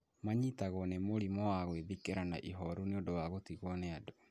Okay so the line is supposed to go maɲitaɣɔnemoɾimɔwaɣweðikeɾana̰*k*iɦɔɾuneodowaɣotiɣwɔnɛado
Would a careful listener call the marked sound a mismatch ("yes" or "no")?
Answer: yes